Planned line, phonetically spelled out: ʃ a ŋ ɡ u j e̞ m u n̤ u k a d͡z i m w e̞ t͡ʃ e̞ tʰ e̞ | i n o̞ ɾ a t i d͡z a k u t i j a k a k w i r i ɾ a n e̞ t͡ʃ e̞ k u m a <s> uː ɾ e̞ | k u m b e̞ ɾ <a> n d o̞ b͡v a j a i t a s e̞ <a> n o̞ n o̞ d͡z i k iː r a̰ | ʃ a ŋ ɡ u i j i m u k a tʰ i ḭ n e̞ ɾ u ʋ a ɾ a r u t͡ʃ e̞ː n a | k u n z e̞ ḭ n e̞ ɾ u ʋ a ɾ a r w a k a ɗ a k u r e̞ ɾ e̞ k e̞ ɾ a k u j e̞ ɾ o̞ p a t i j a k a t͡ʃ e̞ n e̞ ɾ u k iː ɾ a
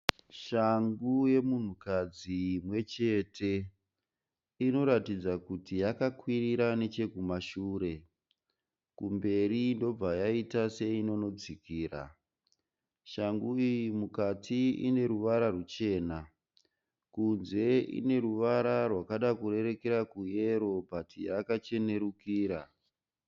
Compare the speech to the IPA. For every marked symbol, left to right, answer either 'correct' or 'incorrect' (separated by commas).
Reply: incorrect, incorrect, incorrect